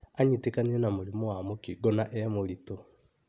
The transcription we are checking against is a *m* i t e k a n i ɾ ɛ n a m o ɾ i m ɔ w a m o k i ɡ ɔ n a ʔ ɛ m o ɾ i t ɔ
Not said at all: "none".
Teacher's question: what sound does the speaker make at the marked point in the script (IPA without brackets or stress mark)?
ɲ